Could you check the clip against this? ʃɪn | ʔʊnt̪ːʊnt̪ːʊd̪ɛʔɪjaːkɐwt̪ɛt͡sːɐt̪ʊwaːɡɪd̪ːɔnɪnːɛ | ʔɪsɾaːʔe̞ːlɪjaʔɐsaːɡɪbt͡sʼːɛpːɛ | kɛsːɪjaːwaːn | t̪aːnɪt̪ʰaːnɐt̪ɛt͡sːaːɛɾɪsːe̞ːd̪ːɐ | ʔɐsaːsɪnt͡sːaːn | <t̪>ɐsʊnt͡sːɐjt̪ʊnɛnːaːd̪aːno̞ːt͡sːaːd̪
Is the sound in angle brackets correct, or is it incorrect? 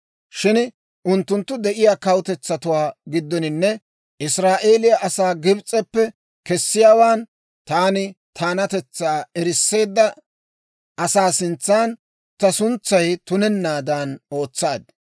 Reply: correct